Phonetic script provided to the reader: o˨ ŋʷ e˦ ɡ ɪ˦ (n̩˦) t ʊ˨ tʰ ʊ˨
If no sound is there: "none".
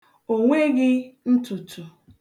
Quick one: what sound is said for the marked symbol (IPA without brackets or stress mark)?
n̩˦